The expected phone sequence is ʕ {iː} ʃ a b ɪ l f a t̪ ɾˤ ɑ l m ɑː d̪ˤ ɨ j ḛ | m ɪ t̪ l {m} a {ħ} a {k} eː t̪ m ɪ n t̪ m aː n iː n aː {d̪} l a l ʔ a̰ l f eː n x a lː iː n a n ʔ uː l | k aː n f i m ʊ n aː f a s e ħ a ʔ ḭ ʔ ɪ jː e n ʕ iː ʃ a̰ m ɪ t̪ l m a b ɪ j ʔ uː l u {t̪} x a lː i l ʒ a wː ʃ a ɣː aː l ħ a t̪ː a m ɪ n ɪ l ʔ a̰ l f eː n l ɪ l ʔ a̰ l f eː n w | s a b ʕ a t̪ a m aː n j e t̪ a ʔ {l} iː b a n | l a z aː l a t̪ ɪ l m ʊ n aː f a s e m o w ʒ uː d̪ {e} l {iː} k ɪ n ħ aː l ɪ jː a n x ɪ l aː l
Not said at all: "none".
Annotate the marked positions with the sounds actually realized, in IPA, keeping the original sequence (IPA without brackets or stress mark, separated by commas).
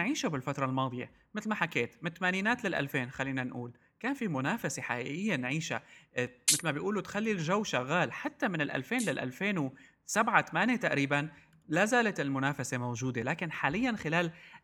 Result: iː, m, ħ, k, t̪, t̪, ɾ, e, aː